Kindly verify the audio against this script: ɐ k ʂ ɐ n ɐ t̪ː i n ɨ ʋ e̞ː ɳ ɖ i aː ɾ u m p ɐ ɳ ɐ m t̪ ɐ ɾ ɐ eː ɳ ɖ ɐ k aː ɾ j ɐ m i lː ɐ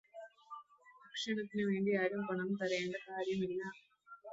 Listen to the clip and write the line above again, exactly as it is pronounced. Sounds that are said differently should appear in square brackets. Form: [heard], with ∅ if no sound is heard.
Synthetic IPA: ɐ k ʂ ɐ [ɳ] ɐ t̪ː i n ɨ ʋ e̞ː ɳ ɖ i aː ɾ u m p ɐ ɳ ɐ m t̪ ɐ ɾ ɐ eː ɳ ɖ ɐ k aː ɾ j ɐ m i lː ɐ